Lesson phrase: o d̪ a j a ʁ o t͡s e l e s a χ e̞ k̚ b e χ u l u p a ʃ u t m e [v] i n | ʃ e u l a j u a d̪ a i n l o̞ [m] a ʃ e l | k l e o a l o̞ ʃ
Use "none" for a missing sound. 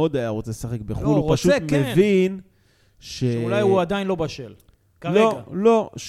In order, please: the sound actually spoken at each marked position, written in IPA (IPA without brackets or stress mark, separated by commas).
v, b